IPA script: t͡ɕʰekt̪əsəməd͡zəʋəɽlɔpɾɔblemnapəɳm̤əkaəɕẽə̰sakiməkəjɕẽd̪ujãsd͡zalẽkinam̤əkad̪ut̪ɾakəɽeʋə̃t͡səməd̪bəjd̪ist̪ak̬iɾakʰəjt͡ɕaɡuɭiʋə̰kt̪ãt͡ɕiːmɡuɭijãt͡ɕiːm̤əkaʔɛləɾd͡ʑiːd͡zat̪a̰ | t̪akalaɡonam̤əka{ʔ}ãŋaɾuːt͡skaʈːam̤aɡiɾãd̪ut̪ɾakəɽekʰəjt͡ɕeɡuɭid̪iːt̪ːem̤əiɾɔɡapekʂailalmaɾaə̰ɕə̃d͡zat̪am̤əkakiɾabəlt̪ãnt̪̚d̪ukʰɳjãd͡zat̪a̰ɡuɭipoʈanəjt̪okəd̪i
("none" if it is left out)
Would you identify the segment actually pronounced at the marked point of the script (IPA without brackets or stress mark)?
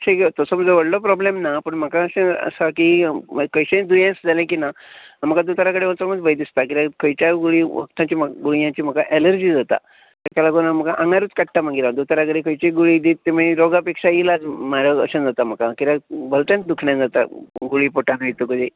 ʔ